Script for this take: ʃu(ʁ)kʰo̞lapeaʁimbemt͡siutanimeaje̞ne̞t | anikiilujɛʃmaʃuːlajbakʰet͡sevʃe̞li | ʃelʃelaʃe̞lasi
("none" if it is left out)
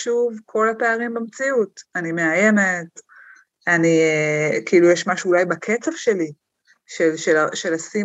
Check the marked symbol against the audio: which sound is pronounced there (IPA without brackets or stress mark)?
v